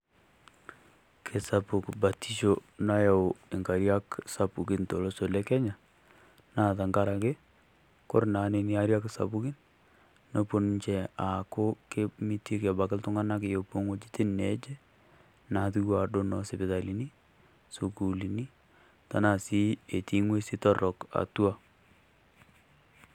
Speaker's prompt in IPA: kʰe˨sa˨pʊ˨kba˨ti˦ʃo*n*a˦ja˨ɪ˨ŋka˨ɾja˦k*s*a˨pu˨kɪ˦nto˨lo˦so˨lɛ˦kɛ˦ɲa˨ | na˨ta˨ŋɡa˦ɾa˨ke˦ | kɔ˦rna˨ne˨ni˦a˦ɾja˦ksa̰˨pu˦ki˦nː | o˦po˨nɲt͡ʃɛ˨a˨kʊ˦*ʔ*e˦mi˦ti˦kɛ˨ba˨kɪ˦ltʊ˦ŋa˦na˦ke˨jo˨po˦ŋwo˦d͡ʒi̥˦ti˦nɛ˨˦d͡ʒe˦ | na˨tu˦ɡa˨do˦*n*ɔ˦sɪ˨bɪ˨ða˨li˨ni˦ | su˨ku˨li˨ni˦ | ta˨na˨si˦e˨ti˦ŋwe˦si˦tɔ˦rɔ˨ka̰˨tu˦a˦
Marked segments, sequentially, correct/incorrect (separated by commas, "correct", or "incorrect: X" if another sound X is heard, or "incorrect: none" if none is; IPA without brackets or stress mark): correct, correct, incorrect: k, correct